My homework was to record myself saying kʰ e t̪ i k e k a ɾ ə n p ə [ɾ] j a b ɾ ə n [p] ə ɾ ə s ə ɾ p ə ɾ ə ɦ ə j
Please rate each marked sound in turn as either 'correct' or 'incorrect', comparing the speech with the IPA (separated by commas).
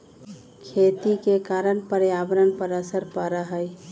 correct, correct